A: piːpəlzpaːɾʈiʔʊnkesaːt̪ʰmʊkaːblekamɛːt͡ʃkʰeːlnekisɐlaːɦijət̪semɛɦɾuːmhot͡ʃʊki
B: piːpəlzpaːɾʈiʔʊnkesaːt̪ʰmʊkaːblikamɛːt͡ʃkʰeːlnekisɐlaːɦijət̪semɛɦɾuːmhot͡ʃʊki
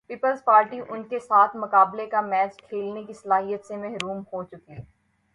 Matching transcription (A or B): A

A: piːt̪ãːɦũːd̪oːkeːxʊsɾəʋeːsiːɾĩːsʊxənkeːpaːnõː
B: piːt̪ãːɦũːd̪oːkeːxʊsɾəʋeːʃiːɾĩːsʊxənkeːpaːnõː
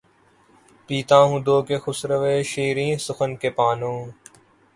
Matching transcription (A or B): B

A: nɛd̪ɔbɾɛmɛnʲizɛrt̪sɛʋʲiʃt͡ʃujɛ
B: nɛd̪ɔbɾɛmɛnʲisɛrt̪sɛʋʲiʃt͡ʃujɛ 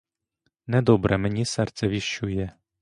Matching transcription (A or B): B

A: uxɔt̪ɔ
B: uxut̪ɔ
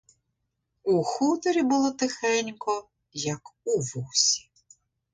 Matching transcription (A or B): B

